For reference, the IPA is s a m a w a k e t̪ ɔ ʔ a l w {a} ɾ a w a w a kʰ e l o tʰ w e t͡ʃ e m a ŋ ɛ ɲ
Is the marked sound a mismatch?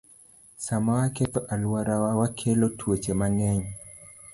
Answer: no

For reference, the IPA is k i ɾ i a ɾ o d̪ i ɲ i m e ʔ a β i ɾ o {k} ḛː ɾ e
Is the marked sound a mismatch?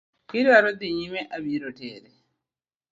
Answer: yes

